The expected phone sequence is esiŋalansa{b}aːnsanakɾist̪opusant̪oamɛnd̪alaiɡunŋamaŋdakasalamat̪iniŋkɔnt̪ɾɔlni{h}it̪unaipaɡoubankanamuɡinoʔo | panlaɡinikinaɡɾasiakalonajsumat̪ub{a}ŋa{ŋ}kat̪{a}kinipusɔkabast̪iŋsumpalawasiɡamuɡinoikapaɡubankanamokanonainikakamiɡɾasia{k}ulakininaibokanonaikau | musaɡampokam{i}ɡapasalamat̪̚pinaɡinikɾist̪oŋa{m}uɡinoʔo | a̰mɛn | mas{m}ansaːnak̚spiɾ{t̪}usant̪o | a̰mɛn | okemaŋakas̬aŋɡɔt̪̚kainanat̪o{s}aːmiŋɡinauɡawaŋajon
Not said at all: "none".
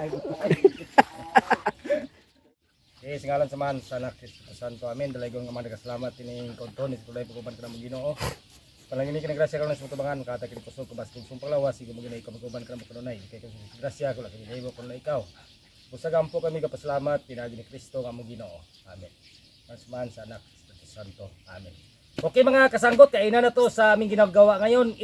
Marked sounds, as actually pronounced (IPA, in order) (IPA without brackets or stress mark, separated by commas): m, s, a, n, a, k, i, m, m, t̪, s